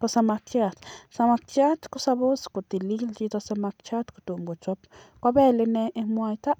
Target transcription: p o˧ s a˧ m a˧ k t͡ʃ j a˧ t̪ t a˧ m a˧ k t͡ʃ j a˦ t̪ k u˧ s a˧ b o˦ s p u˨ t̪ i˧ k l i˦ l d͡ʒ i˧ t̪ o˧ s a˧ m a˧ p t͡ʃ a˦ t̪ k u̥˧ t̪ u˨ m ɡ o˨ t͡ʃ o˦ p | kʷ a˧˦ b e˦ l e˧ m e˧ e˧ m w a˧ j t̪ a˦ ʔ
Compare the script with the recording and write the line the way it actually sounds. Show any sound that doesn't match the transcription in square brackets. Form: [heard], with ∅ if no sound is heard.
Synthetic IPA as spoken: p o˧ s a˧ m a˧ k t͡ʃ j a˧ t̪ [s] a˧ m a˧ k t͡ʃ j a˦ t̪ k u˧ s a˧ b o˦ s [k] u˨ t̪ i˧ [∅] l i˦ l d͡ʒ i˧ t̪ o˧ s a˧ m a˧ [k] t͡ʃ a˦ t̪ k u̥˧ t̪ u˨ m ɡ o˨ t͡ʃ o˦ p | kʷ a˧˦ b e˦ l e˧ [n] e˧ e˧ m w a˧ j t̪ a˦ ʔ